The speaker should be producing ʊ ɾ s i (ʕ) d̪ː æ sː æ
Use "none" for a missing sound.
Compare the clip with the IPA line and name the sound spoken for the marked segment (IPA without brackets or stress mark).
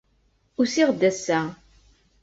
ʁ